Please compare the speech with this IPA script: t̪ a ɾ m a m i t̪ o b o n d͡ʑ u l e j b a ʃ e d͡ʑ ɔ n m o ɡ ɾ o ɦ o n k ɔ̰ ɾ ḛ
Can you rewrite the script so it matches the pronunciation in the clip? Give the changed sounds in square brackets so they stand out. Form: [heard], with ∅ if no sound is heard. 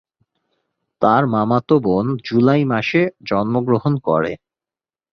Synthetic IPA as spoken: t̪ a ɾ m a m [a] t̪ o b o n d͡ʑ u l [a] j [m] a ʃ e d͡ʑ ɔ n m o ɡ ɾ o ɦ o n k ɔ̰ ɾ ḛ